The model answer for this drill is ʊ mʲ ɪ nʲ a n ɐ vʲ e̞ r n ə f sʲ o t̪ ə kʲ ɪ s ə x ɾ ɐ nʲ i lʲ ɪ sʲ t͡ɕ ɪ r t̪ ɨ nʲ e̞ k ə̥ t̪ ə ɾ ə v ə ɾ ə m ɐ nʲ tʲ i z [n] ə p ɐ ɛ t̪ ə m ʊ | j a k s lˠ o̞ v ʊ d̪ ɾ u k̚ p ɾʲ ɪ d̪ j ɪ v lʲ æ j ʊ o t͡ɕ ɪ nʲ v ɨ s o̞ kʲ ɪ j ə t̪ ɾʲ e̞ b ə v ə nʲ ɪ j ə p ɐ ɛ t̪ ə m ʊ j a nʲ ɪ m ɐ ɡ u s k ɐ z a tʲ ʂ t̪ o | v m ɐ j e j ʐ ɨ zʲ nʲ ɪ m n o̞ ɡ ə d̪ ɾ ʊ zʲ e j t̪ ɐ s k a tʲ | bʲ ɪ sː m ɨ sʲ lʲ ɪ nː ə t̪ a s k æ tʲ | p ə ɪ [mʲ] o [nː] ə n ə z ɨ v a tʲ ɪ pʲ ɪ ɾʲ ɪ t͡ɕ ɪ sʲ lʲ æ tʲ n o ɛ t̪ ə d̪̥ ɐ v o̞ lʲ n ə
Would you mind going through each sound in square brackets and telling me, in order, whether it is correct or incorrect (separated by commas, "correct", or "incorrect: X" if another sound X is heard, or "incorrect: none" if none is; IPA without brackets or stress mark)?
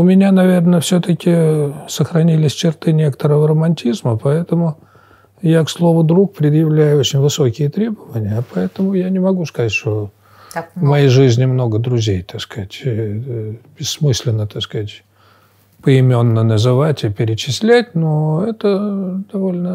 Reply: incorrect: m, correct, correct